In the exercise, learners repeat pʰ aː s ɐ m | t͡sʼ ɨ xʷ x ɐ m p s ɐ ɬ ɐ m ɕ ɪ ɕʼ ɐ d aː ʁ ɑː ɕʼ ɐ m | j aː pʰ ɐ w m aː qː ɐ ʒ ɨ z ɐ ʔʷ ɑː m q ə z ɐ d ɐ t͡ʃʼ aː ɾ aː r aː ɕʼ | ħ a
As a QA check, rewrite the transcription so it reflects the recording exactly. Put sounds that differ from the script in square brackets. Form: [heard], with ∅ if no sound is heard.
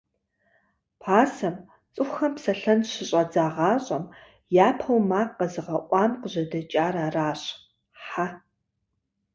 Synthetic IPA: pʰ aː s ɐ m | t͡sʼ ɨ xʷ x ɐ m p s ɐ ɬ ɐ [n] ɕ ɪ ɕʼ ɐ [d͡z] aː ʁ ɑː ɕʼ ɐ m | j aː pʰ ɐ w m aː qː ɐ [z] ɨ [ʁ] ɐ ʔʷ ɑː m q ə [ʑ] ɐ d ɐ t͡ʃʼ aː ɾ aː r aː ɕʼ | ħ a

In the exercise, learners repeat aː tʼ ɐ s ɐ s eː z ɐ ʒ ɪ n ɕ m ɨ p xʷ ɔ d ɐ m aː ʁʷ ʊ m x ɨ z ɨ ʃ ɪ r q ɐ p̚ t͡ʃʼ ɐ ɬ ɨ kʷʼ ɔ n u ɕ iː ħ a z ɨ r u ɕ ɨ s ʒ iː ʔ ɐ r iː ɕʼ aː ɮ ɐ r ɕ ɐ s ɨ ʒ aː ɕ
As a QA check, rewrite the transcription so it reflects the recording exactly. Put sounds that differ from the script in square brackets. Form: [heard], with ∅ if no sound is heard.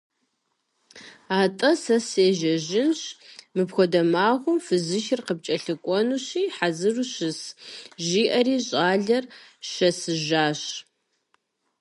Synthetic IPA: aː tʼ ɐ s ɐ s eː [ʒ] ɐ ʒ ɪ n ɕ m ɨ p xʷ ɔ d ɐ m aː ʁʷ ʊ m [f] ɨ z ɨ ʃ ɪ r q [ə] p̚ t͡ʃʼ ɐ ɬ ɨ kʷʼ ɔ n u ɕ iː ħ a z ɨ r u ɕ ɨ s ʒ iː ʔ ɐ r iː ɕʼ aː ɮ ɐ r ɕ ɐ s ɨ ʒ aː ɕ

